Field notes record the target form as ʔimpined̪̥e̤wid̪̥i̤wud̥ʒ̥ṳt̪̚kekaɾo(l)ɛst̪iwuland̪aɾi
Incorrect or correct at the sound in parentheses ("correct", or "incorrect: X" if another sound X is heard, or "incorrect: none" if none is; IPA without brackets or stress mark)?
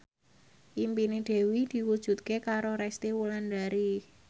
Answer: incorrect: ɾ